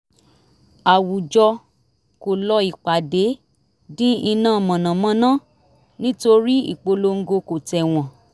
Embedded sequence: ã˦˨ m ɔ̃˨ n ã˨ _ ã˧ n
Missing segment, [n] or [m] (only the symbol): m